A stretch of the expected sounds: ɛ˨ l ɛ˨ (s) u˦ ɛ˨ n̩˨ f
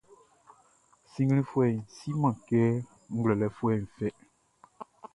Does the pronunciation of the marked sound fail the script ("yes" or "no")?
yes